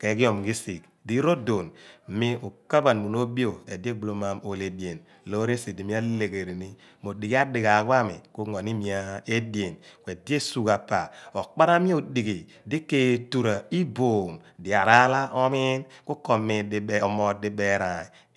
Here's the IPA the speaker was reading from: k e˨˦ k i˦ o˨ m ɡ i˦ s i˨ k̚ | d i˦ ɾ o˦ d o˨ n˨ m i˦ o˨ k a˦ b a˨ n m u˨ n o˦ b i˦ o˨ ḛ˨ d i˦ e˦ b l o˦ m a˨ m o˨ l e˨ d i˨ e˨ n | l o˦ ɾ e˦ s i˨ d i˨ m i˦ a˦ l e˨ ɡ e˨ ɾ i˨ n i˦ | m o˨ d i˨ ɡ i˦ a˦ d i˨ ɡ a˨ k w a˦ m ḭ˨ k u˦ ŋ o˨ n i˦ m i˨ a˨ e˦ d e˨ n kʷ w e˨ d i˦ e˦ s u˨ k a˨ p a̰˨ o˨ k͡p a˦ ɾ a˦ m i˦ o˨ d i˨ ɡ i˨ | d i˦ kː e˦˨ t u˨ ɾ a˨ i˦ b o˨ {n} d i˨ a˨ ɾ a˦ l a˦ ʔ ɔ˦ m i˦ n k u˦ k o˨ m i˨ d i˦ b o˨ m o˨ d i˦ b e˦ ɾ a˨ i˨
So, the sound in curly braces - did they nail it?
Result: no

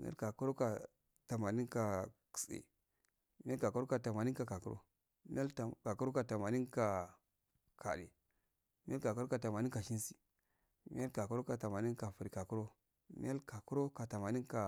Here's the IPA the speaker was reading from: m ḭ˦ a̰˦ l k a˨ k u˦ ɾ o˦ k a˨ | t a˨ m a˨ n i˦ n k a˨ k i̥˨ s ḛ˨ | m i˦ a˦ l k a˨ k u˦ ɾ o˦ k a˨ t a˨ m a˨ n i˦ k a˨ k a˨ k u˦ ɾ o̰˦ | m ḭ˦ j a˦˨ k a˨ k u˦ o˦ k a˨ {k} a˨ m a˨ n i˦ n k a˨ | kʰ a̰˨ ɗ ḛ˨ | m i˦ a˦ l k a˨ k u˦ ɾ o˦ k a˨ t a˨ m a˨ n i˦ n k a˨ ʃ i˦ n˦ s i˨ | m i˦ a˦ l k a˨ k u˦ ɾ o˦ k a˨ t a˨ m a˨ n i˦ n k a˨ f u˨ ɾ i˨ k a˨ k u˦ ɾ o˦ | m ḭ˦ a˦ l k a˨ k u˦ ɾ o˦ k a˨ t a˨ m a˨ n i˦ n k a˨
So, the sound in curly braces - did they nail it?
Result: no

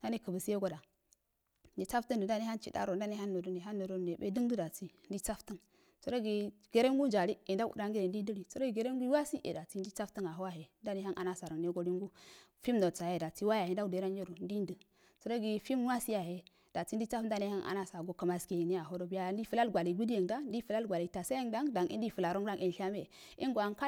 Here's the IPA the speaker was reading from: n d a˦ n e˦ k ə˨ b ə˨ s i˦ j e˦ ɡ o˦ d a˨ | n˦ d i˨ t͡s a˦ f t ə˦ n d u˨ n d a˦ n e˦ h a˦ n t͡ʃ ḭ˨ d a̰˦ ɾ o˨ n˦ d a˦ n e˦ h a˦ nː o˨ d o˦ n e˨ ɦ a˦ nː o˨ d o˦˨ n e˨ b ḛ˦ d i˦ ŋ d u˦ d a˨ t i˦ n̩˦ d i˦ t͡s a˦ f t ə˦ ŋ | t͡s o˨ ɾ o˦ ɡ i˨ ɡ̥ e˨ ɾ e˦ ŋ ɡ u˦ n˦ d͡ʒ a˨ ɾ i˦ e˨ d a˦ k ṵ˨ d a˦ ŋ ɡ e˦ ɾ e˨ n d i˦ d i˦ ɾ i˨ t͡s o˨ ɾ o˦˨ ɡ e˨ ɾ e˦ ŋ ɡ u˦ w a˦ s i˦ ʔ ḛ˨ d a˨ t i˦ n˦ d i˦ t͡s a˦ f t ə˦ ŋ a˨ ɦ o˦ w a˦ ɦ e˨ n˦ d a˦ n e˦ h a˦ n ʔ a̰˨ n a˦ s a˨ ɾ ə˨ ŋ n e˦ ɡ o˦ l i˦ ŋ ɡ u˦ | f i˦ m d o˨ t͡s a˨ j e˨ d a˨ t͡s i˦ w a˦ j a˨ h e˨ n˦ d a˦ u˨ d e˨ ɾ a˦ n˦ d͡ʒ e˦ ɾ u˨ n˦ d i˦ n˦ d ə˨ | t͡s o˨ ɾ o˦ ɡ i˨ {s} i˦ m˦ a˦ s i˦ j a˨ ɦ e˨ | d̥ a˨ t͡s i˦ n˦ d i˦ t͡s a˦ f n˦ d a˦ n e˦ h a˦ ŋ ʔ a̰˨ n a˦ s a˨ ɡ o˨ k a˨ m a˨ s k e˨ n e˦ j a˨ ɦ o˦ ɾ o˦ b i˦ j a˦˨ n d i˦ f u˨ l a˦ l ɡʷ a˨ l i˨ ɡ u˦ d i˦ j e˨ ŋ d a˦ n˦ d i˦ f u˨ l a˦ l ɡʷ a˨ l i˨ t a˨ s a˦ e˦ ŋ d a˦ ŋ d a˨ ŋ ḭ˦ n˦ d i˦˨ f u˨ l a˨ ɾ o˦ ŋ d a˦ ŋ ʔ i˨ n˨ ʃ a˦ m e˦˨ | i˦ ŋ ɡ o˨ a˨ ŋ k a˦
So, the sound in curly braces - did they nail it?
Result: no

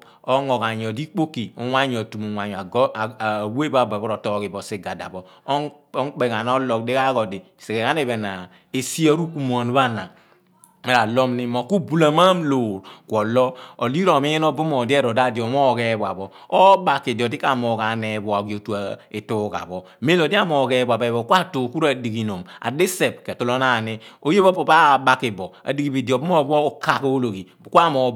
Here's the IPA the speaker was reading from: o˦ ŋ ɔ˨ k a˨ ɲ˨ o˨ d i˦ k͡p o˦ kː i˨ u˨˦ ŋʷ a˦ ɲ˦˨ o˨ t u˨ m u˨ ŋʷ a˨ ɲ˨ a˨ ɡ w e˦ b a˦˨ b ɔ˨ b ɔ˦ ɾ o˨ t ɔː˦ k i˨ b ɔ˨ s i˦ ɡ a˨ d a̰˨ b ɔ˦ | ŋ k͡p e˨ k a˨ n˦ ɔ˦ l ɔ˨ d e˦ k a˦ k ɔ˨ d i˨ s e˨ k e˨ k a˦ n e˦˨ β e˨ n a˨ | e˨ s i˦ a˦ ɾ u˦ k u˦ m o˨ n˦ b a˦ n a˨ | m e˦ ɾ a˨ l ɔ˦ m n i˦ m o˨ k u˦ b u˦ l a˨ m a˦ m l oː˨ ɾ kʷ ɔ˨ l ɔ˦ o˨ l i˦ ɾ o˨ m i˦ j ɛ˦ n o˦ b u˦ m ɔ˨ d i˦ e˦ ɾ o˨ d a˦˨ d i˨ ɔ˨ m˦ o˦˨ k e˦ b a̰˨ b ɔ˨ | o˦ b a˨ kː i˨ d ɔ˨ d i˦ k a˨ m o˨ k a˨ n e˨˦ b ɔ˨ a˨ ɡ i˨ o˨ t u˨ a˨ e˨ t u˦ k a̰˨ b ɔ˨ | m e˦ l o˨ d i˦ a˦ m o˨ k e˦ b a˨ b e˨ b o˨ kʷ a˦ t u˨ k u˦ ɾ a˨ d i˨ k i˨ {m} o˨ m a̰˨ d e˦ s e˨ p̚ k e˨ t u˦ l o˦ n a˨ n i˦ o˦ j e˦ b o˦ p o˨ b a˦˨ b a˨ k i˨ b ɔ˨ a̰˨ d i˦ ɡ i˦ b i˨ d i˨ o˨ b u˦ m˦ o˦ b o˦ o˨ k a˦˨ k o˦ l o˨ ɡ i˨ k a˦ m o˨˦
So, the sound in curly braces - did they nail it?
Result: no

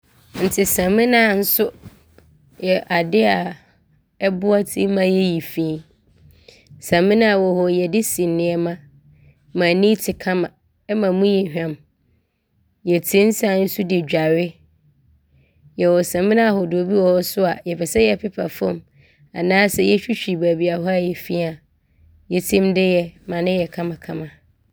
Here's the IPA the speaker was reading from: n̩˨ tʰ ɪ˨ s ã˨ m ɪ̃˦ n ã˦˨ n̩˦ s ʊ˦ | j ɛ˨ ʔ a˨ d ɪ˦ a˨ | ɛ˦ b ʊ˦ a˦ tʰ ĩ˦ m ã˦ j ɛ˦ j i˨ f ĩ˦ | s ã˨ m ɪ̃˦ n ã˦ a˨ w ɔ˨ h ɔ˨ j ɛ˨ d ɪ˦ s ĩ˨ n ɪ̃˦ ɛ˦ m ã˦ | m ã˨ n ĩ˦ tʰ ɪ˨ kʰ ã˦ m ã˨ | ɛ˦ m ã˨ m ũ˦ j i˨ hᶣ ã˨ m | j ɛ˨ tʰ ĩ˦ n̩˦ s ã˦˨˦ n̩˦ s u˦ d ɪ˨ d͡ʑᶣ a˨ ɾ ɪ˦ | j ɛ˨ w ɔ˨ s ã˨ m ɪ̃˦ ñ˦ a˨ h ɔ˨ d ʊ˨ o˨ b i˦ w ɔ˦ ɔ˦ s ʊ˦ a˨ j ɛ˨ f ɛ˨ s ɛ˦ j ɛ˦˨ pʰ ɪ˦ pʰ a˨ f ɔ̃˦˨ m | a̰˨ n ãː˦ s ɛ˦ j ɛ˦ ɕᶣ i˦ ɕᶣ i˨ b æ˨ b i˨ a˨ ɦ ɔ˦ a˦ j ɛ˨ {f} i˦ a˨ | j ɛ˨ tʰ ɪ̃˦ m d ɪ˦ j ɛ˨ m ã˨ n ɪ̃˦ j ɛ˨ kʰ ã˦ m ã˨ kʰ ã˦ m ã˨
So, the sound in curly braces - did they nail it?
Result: yes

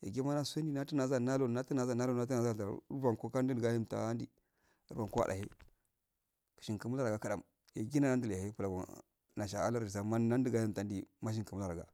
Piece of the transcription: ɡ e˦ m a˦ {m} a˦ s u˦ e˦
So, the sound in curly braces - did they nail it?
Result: no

